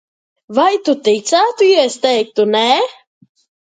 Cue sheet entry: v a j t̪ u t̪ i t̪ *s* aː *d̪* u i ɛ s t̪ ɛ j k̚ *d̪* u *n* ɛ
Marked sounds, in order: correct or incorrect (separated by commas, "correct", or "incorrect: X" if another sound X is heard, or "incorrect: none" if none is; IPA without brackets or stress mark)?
correct, incorrect: t̪, incorrect: t̪, correct